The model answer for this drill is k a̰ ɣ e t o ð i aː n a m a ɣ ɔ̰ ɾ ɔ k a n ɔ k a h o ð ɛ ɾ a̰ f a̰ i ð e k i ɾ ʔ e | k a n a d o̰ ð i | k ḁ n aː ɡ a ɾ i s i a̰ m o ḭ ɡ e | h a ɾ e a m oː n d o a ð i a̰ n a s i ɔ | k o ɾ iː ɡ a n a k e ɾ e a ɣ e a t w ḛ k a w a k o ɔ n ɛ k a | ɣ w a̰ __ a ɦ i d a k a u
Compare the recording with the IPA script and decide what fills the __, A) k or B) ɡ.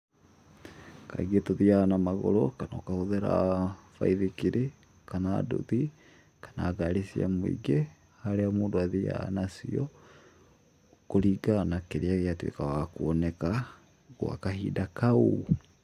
A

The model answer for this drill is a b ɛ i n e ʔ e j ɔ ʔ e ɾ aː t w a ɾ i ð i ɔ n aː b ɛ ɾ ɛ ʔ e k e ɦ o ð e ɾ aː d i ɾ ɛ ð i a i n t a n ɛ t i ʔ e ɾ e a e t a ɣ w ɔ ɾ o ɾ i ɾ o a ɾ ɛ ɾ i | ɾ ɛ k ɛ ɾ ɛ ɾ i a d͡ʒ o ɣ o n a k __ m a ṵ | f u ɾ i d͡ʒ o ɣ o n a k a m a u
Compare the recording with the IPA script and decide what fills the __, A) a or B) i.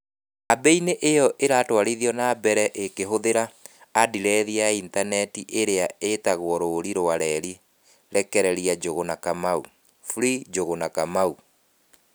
A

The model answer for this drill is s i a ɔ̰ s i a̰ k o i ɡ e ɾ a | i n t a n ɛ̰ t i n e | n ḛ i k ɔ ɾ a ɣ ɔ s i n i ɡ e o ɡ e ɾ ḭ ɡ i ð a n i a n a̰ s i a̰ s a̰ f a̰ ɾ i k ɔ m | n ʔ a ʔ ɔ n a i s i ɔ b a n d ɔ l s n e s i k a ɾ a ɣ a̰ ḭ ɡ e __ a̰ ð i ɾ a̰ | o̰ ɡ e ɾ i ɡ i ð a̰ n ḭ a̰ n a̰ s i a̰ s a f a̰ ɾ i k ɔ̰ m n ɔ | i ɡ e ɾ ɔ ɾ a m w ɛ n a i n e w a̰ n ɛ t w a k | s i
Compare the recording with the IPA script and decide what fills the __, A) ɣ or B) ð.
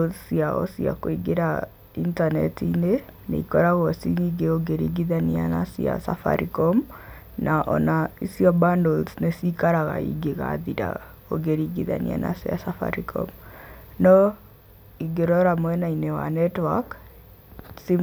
A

